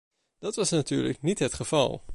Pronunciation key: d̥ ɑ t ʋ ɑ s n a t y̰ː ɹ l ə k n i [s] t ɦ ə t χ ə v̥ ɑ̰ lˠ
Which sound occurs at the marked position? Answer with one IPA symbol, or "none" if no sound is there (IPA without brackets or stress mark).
none